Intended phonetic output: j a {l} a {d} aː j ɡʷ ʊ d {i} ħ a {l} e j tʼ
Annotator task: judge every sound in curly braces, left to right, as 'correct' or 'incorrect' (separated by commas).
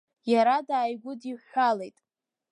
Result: incorrect, correct, correct, correct